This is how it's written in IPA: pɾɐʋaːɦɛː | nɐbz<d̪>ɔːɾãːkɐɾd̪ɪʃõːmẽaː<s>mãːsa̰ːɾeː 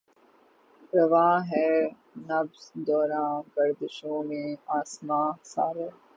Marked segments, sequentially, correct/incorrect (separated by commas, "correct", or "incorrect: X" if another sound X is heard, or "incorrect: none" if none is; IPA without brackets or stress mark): correct, correct